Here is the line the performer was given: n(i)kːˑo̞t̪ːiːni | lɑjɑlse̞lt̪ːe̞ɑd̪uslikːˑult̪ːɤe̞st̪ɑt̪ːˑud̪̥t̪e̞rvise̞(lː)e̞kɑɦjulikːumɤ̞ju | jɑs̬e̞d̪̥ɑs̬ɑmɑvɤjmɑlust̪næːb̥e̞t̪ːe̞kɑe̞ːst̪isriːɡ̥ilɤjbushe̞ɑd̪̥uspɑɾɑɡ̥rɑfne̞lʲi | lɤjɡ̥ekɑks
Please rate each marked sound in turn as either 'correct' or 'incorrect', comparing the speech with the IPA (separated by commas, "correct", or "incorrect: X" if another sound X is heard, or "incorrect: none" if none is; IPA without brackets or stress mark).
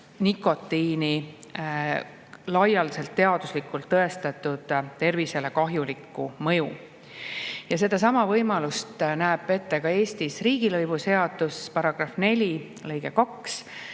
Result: correct, incorrect: l